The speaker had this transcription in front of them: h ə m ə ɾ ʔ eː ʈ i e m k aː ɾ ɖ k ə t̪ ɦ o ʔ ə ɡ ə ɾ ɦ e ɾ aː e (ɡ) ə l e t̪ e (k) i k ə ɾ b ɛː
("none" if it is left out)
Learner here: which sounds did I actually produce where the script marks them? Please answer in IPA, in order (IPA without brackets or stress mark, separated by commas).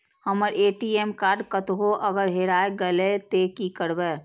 ɡ, k